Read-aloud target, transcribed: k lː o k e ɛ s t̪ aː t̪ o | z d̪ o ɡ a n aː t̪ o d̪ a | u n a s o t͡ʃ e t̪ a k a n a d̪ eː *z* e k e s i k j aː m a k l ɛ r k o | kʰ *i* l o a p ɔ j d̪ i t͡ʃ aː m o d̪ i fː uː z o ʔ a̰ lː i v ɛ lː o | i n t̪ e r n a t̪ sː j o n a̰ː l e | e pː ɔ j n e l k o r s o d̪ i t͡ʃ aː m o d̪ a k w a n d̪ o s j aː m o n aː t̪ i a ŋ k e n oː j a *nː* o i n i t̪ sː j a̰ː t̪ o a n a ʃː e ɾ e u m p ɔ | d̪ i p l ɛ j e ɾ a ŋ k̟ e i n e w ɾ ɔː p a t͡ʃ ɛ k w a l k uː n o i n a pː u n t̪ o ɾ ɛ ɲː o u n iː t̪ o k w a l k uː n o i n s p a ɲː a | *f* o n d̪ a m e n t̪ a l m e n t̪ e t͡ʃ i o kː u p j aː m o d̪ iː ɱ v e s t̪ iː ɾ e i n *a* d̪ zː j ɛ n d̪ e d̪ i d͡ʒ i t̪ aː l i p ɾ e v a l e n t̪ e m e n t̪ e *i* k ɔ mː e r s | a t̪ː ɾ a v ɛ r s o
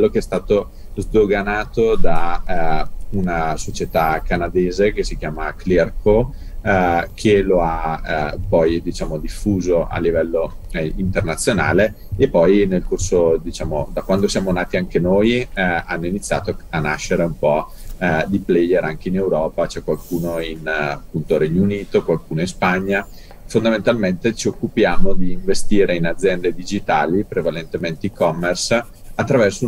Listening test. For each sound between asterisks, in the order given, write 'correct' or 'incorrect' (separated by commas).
correct, incorrect, correct, correct, correct, correct